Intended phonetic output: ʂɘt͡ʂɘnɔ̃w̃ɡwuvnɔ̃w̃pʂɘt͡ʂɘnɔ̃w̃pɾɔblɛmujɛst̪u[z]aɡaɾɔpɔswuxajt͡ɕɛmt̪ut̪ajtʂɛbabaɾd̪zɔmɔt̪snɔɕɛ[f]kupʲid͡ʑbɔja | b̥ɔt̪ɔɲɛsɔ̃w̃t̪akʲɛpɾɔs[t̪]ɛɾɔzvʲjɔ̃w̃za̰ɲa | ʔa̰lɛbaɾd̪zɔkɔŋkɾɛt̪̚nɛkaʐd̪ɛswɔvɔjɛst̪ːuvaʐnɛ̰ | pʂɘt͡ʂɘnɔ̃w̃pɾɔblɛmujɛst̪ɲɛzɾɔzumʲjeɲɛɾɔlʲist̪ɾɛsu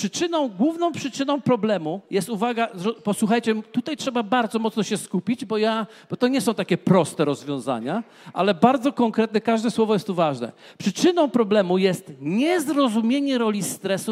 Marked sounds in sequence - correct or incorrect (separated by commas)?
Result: incorrect, incorrect, correct